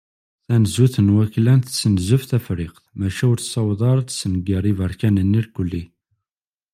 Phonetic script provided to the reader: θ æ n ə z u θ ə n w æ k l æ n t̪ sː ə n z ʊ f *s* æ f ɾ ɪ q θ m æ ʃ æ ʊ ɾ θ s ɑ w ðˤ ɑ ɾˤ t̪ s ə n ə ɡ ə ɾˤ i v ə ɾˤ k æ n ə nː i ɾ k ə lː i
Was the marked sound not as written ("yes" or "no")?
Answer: yes